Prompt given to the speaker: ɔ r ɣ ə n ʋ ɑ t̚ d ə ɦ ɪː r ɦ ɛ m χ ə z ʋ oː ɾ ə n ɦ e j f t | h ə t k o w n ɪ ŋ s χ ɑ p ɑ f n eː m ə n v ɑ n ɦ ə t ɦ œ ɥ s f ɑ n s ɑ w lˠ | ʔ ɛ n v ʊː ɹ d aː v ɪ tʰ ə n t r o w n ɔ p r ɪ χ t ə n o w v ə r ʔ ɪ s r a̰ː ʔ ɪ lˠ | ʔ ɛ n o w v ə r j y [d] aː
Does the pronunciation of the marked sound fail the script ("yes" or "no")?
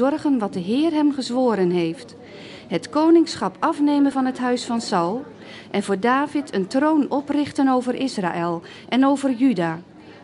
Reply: no